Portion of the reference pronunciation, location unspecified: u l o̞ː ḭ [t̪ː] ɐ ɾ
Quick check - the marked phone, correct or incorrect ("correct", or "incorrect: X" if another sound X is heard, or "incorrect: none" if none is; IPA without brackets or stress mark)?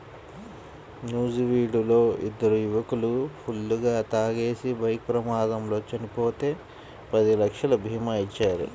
incorrect: d̪ː